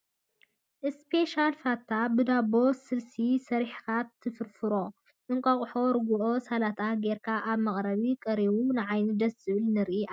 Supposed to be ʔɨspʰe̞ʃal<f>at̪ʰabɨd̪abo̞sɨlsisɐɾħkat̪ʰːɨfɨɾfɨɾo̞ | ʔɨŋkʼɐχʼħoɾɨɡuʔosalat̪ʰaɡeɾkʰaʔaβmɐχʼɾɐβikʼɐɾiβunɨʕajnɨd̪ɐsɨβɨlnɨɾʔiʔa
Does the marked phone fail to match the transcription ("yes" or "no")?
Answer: no